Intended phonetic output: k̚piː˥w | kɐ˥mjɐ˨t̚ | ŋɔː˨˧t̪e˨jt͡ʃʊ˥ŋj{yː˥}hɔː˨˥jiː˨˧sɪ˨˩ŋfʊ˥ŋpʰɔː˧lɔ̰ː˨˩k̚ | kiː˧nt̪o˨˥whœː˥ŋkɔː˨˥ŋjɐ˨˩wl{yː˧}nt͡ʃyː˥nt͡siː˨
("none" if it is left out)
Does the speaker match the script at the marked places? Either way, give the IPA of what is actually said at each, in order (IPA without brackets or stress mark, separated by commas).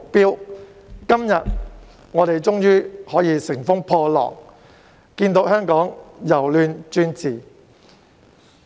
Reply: yː˥, yː˧